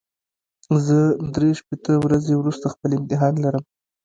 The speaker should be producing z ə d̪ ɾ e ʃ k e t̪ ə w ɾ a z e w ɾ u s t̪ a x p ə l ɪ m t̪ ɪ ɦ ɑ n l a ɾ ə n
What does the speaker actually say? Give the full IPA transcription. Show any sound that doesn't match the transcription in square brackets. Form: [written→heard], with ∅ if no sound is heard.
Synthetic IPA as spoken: z ə d̪ ɾ e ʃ [k→p] e t̪ ə w ɾ a z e w ɾ u s t̪ a x p ə l ɪ m t̪ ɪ ɦ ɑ n l a ɾ ə [n→m]